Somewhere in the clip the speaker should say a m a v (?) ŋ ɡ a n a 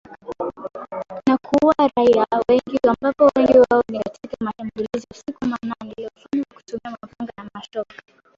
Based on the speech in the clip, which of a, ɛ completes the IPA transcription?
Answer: a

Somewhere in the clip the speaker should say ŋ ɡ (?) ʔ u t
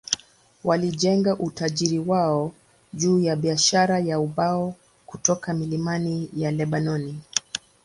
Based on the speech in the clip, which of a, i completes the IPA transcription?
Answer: a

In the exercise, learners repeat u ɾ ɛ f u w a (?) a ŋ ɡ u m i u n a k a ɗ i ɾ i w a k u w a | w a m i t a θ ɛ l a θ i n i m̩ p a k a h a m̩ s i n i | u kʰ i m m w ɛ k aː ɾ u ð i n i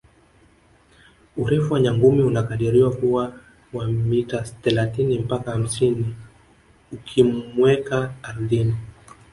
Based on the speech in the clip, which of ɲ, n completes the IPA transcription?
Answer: ɲ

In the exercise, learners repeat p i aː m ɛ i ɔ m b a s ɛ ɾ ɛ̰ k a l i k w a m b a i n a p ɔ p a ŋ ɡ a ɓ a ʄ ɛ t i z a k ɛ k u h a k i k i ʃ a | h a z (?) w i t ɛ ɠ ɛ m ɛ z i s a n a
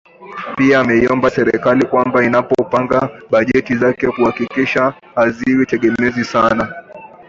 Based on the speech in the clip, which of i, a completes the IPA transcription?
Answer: i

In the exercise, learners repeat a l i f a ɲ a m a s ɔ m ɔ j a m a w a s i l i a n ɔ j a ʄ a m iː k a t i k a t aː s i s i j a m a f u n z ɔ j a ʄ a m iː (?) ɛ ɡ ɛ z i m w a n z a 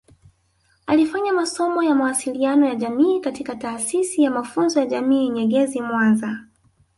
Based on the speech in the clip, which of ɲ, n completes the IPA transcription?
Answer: ɲ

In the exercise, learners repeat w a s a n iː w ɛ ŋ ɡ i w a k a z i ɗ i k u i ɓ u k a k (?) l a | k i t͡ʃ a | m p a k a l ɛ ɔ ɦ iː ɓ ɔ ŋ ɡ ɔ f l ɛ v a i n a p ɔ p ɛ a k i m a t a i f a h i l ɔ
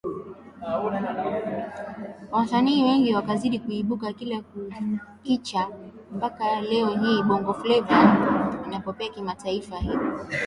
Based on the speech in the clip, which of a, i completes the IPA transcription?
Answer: i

